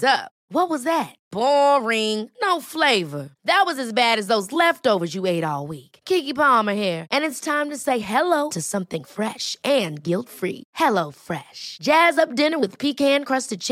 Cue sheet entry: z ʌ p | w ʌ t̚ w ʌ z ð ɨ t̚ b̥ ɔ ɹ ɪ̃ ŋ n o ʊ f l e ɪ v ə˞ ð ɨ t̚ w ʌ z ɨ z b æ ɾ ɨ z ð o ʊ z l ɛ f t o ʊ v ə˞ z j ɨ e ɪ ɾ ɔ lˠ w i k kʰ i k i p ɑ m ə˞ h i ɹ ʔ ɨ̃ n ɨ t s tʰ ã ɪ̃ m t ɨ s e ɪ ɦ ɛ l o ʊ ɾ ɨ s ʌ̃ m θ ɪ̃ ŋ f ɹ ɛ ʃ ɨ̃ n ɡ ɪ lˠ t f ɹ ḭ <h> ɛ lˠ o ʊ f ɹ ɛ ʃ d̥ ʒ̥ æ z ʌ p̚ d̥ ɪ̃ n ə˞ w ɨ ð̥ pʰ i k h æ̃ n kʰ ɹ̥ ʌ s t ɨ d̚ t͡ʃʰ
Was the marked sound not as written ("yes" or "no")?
no